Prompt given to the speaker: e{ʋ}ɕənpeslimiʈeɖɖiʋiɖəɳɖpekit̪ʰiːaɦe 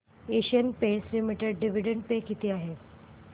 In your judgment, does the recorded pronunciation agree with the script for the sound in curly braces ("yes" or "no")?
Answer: no